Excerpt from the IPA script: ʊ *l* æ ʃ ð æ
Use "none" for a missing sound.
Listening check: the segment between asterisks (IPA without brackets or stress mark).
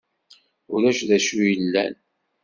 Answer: ɾ